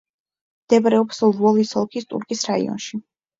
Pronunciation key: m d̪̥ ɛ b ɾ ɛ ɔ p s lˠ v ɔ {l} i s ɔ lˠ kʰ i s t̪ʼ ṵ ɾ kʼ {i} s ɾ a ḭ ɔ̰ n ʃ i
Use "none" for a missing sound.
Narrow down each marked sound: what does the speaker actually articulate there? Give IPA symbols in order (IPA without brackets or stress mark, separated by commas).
l, i